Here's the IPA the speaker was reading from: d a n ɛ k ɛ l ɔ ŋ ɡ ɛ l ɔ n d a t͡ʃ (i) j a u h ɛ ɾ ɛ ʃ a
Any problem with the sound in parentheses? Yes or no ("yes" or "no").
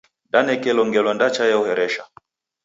yes